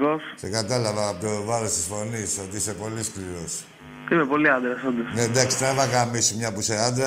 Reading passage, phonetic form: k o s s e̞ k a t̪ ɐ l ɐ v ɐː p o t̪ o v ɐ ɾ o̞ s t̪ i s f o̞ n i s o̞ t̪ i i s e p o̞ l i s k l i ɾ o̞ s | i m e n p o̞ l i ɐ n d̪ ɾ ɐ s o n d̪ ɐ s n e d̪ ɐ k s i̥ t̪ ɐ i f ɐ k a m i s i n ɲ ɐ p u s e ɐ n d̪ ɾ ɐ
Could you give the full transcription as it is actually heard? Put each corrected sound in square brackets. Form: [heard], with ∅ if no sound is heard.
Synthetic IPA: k o s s e̞ k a t̪ ɐ l ɐ v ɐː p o t̪ o v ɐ ɾ o̞ s t̪ i s f o̞ n i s o̞ t̪ i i s e p o̞ l i s k l i ɾ o̞ s | i m e [∅] p o̞ l i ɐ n d̪ ɾ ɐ s o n d̪ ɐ s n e d̪ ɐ k s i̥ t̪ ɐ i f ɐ k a m i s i [m] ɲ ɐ p u s e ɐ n d̪ ɾ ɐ